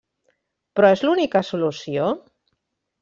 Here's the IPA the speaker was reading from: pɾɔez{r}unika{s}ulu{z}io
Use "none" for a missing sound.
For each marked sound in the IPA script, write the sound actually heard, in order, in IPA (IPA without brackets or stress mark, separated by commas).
l, s, s